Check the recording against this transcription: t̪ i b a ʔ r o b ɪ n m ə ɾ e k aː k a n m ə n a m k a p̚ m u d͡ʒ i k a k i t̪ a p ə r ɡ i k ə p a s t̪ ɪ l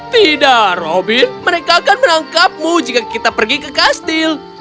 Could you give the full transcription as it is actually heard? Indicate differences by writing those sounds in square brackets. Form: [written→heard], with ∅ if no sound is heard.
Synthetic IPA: t̪ i [b→d] a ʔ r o b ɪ n m ə ɾ e k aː k a n m ə n a [m→ŋ] k a p̚ m u d͡ʒ i k a k i t̪ a p ə r ɡ i k ə [p→k] a s t̪ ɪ l